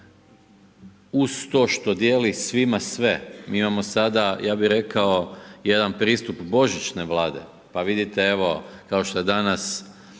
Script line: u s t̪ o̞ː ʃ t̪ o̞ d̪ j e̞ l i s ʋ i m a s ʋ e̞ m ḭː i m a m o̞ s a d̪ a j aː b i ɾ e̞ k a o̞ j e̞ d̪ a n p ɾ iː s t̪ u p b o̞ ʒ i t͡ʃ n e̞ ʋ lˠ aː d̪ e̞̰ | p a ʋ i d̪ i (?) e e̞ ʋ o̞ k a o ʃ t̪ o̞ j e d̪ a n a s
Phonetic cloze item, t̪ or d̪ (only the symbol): t̪